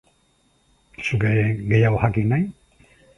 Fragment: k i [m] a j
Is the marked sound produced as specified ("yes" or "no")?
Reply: no